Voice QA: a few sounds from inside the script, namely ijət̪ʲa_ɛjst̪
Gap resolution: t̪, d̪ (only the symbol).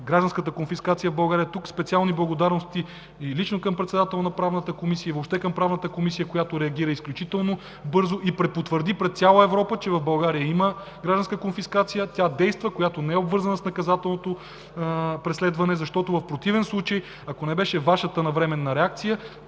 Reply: d̪